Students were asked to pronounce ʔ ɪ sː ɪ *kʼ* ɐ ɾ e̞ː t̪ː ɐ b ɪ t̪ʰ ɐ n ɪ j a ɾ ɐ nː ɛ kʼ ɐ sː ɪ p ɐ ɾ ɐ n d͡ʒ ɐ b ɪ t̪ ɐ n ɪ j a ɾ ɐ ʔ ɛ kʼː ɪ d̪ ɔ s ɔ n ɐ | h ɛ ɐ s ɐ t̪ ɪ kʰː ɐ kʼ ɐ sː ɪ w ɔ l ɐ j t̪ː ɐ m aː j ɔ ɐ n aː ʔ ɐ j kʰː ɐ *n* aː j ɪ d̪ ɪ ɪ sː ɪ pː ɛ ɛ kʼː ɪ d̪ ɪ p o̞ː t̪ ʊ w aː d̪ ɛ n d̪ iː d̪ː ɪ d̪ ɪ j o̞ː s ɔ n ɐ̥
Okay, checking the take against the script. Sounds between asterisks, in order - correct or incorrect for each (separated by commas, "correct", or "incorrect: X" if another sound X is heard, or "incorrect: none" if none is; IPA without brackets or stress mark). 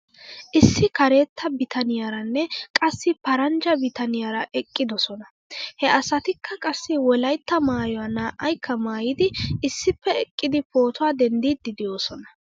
incorrect: k, incorrect: m